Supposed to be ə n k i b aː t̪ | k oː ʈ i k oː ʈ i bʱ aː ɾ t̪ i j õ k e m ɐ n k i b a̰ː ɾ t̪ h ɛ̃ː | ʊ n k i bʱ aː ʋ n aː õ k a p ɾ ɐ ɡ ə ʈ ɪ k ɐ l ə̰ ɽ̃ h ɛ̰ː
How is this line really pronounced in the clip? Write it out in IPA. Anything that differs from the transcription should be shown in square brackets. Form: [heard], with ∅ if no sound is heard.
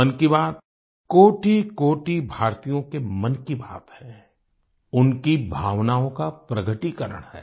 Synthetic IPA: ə n k i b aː t̪ | k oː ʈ i k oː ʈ i bʱ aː ɾ t̪ i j õ k e m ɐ n k i b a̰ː [∅] t̪ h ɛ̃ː | ʊ n k i bʱ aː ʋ n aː õ k a p ɾ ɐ ɡ ə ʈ [i] k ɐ [ɾ] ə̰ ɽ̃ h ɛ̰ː